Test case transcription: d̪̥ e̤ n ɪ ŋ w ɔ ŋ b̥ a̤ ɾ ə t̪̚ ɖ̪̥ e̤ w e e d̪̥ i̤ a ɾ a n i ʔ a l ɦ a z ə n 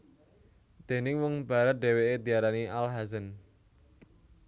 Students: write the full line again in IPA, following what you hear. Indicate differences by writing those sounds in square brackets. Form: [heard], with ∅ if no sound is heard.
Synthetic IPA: d̪̥ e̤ n ɪ ŋ w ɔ ŋ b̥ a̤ ɾ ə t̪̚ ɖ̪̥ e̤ w e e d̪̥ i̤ a ɾ a n i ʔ a l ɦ a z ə n